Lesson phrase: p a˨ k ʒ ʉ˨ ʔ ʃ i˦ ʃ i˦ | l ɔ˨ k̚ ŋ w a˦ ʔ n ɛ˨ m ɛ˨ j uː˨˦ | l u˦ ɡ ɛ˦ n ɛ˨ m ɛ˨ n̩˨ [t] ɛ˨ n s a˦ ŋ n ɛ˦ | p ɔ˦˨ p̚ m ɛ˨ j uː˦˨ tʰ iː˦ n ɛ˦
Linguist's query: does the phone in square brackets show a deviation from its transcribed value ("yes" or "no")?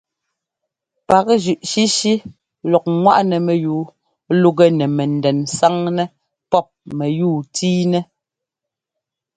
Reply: yes